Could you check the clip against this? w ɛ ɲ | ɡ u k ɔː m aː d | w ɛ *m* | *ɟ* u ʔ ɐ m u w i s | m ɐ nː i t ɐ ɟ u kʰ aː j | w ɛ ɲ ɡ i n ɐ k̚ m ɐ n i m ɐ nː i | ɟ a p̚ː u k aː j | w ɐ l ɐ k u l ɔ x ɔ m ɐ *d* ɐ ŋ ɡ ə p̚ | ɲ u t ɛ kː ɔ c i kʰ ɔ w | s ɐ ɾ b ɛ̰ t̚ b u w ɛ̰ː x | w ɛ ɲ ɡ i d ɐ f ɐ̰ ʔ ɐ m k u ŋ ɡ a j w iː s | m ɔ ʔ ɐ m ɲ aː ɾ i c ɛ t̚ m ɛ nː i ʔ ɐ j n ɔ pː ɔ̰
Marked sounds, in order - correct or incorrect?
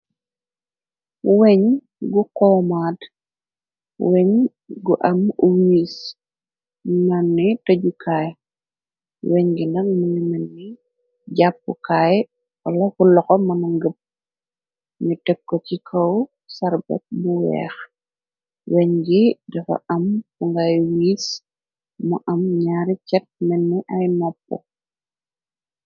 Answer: incorrect, incorrect, incorrect

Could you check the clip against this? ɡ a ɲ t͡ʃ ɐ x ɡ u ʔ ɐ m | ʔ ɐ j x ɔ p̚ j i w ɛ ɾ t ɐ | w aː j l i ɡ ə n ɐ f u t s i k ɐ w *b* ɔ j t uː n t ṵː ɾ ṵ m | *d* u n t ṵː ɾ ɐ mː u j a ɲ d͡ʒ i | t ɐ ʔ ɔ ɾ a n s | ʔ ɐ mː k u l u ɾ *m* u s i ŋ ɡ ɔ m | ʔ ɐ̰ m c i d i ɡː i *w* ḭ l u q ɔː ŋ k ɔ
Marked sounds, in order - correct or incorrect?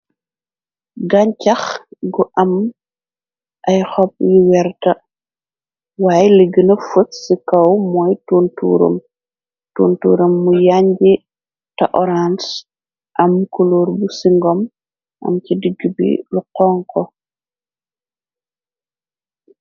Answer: incorrect, incorrect, incorrect, incorrect

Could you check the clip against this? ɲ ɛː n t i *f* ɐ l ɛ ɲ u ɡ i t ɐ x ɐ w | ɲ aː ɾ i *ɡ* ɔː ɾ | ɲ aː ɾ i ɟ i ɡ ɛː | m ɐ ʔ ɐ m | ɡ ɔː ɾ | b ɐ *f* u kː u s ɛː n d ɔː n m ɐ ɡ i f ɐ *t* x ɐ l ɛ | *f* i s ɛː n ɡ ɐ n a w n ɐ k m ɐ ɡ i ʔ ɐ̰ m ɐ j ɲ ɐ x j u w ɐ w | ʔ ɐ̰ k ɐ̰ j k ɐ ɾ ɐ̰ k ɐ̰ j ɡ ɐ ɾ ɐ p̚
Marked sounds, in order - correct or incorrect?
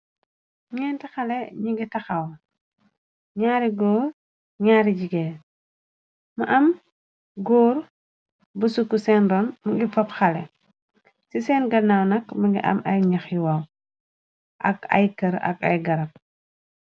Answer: incorrect, correct, incorrect, incorrect, incorrect

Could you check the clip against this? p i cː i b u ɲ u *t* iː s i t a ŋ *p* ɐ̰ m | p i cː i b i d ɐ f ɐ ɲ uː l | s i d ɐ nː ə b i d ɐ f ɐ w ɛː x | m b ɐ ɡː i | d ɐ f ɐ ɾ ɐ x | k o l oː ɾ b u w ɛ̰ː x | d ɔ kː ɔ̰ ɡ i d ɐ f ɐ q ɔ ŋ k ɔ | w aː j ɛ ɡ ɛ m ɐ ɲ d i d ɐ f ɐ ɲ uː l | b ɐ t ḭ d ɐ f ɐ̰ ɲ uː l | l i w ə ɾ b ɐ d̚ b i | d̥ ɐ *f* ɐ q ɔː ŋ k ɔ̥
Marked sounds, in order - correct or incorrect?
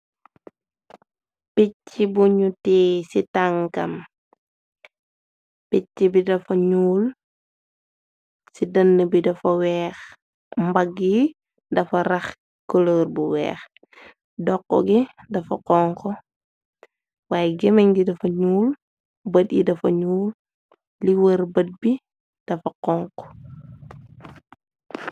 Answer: correct, incorrect, correct

